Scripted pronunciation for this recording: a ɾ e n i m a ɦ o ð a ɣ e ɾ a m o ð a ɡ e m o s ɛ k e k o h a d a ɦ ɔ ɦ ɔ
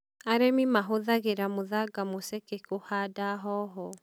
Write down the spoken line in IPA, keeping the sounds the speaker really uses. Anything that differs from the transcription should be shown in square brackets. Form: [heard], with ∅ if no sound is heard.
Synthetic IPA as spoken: a ɾ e [m] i m a ɦ o ð a ɣ e ɾ a m o ð a ɡ [a] m o s ɛ k e k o h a d a ɦ ɔ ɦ ɔ